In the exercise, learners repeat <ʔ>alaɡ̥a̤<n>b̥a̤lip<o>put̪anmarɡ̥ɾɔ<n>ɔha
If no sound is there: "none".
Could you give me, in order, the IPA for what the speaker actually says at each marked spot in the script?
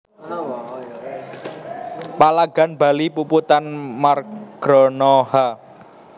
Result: p, n, u, n

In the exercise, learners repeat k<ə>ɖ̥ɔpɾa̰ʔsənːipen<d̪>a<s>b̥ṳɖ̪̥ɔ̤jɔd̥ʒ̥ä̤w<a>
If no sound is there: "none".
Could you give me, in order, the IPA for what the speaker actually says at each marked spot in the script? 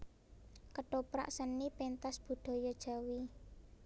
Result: ə, t̪, s, i

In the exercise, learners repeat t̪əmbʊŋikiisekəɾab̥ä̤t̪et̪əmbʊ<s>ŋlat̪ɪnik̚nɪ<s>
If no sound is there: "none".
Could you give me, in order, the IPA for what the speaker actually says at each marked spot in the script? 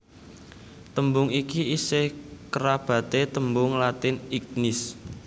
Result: none, s

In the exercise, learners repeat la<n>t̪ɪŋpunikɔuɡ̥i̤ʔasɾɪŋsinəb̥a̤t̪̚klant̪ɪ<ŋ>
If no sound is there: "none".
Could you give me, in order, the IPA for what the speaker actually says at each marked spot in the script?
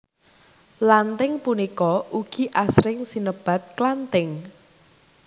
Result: n, ŋ

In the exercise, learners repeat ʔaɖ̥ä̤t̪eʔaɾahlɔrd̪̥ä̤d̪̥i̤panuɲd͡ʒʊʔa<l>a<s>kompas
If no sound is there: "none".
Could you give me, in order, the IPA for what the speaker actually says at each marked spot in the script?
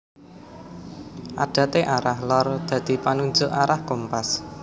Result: ɾ, h

